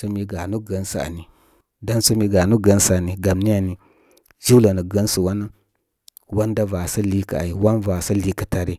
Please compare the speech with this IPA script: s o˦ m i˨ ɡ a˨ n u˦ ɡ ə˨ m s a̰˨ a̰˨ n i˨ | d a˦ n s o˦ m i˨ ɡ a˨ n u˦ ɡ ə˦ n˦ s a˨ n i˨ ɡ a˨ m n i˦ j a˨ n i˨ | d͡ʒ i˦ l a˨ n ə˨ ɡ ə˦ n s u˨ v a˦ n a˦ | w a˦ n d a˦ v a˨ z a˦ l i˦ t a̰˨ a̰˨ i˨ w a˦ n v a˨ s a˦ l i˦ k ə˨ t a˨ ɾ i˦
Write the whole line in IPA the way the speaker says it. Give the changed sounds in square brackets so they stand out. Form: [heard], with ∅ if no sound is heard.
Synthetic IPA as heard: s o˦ m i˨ ɡ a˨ n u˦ ɡ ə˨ [n] s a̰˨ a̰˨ n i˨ | d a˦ n s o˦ m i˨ ɡ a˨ n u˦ ɡ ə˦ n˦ s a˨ n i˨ ɡ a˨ m n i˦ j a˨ n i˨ | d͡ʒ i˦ l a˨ n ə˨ ɡ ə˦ n s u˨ [w] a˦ n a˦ | w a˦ n d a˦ v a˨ [s] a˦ l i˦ [k] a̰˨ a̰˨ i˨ w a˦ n v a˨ s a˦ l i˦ k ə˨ t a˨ ɾ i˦

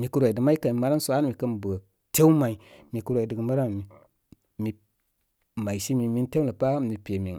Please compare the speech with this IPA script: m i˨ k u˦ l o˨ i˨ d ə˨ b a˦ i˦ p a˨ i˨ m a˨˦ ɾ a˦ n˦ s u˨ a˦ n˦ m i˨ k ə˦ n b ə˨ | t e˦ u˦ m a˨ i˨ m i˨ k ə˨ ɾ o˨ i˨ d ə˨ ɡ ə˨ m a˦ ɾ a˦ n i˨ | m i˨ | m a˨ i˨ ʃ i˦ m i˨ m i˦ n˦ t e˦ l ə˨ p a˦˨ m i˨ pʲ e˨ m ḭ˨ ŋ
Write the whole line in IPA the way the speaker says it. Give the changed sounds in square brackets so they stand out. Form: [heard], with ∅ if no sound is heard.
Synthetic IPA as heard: m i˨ k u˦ [ɾ] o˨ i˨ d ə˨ [m] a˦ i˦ [k] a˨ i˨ m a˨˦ ɾ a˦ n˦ s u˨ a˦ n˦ m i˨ k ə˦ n b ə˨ | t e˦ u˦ m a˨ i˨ m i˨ k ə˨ ɾ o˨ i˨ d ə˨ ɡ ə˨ m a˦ ɾ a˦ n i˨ | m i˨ | m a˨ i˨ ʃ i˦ m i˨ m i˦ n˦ t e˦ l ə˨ p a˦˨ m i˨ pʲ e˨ m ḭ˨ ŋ

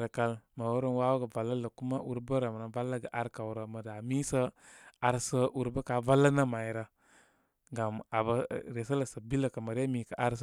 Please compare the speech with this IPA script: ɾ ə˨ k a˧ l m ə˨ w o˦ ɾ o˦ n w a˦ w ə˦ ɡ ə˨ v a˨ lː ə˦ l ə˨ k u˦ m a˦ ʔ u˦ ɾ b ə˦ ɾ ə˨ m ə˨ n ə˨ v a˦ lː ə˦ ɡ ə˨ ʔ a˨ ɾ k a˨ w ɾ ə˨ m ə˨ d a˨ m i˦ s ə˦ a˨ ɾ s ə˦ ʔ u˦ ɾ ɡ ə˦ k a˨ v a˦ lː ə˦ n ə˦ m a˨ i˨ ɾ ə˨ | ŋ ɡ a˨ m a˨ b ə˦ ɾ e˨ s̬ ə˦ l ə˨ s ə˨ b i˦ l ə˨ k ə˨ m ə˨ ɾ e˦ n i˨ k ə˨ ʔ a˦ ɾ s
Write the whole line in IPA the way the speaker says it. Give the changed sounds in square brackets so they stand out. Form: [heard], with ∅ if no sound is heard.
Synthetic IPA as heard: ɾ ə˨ k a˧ l m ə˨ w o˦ ɾ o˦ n w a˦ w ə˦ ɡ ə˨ v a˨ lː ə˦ l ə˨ k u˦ m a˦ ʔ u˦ ɾ b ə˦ ɾ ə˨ m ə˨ n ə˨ v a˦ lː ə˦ ɡ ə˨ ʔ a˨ ɾ k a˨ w ɾ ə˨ m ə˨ d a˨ m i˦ s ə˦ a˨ ɾ s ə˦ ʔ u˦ ɾ [b] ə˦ k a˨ v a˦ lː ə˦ n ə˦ m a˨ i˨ ɾ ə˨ | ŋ ɡ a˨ m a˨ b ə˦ ɾ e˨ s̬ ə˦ l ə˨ s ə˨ b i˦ l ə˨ k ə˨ m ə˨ ɾ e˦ [m] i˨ k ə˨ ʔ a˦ ɾ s

